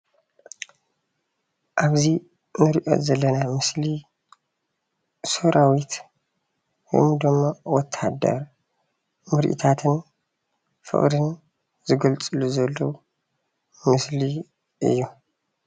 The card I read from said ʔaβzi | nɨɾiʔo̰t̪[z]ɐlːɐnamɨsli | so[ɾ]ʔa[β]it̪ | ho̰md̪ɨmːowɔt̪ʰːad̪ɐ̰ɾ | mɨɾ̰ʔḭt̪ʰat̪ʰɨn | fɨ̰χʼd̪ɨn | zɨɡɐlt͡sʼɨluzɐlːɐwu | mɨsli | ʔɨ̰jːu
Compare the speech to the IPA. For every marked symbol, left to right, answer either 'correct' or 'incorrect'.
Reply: correct, correct, incorrect: w

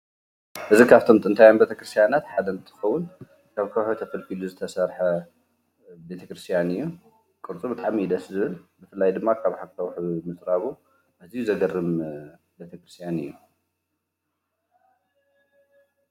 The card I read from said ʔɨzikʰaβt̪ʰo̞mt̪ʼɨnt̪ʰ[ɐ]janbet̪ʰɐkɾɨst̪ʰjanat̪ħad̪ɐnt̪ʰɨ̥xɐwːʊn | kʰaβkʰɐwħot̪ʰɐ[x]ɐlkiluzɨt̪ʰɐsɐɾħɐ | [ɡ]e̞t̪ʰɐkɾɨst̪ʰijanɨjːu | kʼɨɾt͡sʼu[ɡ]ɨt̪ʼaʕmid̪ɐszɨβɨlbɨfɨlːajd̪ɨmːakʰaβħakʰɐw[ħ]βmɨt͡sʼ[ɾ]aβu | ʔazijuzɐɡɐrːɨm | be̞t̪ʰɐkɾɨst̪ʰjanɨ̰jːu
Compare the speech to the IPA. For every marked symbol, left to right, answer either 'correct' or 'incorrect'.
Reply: incorrect: a, incorrect: f, incorrect: b, incorrect: b, correct, correct

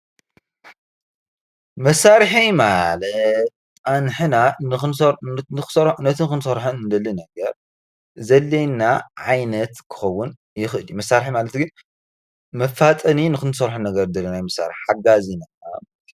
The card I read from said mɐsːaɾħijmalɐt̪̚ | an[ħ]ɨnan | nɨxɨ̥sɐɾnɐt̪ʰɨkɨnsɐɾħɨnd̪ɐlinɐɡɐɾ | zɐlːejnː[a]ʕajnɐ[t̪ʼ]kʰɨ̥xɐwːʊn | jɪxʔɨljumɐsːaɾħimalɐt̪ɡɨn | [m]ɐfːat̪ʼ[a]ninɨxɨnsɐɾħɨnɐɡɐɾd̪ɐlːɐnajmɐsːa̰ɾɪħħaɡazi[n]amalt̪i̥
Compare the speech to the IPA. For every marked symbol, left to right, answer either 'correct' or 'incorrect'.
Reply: correct, correct, incorrect: t̪, correct, incorrect: ɐ, correct

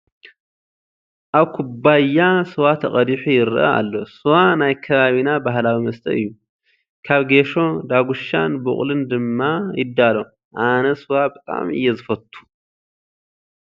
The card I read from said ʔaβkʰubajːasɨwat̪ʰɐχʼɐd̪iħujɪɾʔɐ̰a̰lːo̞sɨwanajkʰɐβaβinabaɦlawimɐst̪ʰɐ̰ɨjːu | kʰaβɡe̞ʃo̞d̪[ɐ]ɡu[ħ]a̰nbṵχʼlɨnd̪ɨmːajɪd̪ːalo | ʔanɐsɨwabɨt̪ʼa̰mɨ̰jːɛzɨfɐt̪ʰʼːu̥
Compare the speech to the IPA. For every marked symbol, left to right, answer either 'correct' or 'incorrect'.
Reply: incorrect: a, incorrect: ʃ

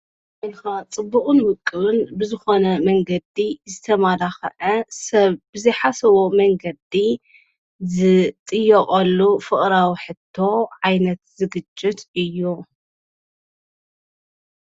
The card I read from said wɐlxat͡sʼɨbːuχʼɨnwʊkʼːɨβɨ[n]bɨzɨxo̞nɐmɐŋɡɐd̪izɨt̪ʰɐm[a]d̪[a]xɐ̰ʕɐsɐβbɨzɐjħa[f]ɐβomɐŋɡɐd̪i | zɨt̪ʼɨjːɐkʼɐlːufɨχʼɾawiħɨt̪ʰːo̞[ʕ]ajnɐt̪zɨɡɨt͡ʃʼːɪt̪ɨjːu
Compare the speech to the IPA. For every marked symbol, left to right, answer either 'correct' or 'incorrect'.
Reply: correct, correct, correct, incorrect: s, correct

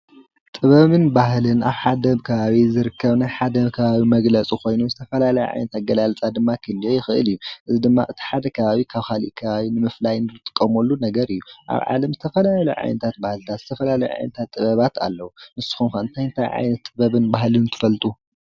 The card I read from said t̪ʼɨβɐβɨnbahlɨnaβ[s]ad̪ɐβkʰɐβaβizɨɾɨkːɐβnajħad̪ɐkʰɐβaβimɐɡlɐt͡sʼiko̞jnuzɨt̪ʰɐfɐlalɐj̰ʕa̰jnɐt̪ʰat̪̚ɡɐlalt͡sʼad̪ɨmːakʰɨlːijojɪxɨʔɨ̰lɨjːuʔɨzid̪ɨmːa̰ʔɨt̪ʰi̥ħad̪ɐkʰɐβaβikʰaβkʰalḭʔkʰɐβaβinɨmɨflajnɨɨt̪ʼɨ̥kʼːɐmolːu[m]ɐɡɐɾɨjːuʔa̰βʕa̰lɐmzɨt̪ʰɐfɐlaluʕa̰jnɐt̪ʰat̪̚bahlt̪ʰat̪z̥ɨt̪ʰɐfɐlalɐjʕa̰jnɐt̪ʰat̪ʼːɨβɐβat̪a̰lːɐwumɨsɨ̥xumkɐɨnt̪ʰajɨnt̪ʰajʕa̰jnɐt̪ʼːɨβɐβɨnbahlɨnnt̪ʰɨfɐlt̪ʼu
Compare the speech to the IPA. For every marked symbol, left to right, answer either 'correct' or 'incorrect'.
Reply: incorrect: ħ, incorrect: n

